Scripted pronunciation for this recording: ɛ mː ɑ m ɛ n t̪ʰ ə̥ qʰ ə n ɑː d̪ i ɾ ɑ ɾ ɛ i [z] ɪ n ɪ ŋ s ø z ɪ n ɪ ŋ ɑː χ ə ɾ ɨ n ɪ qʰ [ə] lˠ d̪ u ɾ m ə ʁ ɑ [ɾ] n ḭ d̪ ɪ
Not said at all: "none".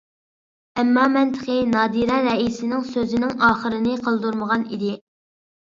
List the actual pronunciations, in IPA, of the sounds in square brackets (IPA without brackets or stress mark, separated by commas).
s, ə, none